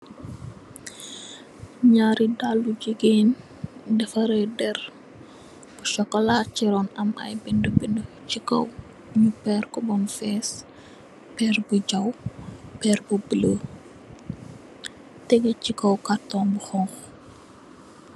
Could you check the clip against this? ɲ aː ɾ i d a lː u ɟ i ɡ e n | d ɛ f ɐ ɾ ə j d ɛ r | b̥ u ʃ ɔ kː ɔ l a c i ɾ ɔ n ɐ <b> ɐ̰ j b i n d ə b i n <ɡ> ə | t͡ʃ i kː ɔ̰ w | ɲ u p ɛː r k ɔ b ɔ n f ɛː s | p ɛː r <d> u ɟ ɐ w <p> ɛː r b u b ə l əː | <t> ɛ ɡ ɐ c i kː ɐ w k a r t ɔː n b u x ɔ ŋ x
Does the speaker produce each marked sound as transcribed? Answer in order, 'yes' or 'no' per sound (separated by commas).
no, no, no, yes, yes